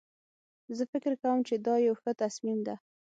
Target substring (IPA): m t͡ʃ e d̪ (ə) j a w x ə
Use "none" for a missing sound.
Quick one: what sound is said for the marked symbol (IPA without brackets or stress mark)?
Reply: ɑ